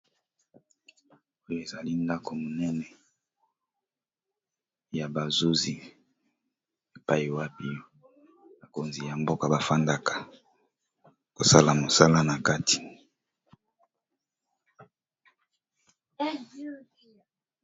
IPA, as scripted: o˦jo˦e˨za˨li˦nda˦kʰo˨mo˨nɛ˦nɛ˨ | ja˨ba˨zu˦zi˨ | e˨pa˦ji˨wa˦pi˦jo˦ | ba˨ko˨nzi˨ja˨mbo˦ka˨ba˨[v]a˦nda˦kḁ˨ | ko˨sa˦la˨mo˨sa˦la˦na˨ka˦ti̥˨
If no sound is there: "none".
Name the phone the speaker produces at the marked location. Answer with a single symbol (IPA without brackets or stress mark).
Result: f